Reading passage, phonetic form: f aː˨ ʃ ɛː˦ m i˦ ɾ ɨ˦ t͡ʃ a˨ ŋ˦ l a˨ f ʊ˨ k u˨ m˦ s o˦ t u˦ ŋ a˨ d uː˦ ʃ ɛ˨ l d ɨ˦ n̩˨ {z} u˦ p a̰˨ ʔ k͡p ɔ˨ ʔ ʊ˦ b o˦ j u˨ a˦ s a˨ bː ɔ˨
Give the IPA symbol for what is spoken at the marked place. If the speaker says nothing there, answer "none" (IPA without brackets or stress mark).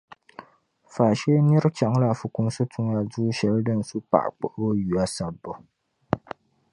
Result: s